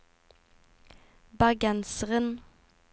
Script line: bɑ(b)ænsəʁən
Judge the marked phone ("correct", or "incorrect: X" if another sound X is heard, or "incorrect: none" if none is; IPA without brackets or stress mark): incorrect: ɡ